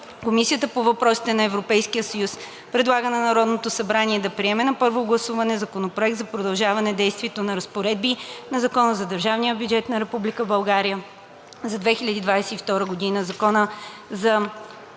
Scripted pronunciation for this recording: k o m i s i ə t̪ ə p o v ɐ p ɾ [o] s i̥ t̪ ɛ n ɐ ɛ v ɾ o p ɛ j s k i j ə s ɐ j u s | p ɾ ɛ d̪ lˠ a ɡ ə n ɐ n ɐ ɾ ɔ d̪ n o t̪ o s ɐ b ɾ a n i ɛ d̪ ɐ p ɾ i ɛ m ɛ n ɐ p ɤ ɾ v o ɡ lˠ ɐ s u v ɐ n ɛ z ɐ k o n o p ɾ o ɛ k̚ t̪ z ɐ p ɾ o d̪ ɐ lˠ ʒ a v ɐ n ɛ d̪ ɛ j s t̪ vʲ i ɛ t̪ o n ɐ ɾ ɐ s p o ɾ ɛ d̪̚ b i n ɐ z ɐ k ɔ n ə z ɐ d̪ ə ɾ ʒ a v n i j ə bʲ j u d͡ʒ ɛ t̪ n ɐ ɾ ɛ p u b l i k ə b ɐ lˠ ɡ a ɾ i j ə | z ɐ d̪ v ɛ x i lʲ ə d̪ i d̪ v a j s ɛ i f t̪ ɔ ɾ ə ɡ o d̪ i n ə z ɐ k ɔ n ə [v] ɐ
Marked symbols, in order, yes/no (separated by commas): no, no